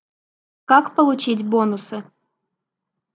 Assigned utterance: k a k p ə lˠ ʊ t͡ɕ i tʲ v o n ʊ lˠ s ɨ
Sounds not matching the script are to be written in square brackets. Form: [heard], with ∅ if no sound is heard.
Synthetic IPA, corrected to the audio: k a k p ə lˠ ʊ t͡ɕ i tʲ [b] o n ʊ [∅] s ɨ